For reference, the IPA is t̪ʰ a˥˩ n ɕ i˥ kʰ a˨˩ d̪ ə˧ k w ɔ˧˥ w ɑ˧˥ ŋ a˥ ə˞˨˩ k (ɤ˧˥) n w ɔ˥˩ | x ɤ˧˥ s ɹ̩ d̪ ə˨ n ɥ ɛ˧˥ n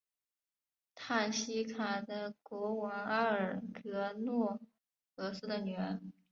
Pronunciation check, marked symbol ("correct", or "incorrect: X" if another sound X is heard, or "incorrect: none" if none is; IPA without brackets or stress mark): correct